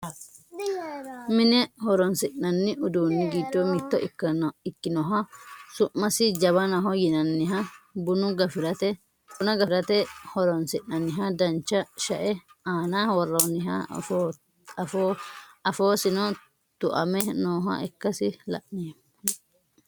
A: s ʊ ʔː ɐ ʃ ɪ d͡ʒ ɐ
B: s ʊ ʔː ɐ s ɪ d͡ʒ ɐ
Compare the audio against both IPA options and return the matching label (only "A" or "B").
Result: B